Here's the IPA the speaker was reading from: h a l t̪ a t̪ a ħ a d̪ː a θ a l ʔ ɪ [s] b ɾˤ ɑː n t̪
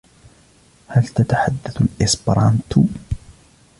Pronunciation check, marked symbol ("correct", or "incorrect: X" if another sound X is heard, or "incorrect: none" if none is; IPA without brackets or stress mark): correct